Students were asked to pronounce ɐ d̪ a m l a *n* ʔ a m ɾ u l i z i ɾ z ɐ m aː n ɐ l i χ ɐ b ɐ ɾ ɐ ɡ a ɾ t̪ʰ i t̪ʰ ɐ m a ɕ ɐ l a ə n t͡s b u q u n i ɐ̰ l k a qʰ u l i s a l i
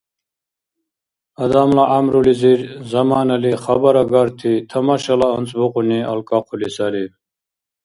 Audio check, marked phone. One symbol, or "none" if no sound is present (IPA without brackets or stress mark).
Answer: none